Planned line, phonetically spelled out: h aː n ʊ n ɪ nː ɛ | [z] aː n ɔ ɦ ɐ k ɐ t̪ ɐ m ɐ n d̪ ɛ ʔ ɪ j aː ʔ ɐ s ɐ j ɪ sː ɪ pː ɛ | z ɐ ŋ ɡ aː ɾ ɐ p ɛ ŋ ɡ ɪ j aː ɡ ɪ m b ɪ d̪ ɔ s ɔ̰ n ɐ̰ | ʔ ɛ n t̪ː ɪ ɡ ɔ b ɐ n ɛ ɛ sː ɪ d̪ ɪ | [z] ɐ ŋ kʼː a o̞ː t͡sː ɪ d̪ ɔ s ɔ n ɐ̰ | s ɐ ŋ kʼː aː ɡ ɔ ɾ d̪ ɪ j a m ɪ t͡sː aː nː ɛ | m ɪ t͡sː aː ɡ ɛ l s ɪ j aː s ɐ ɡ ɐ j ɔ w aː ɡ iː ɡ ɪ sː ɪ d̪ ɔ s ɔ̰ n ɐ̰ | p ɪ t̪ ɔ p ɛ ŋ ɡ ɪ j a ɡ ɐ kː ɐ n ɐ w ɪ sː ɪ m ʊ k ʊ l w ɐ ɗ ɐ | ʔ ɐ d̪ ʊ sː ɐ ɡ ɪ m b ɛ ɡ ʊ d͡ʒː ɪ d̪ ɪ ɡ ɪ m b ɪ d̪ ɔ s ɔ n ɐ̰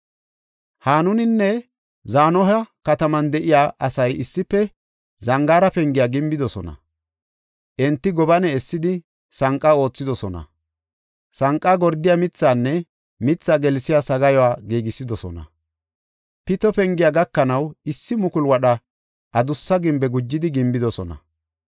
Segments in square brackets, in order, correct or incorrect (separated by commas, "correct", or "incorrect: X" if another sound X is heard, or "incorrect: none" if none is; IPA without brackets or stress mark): correct, incorrect: s